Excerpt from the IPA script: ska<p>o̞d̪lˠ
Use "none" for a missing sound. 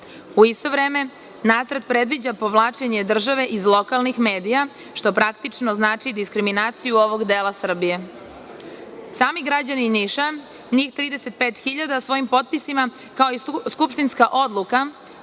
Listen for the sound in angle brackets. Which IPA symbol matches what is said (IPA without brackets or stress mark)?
ʔ